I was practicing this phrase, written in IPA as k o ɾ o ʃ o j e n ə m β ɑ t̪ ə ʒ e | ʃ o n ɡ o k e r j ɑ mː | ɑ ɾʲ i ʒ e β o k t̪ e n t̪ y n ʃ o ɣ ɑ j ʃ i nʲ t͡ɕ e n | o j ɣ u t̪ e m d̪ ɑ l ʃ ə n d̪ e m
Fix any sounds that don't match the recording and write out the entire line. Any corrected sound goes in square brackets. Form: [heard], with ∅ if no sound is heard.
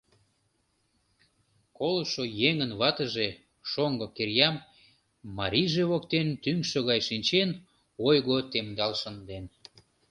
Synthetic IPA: k o [l] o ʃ o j e [ŋ] ə [n] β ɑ t̪ ə ʒ e | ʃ o [ŋ] ɡ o k e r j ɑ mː | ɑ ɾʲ i ʒ e β o k t̪ e n t̪ y [ŋ] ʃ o ɣ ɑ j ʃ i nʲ t͡ɕ e n | o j ɣ [o] t̪ e m d̪ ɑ l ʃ ə n d̪ e [n]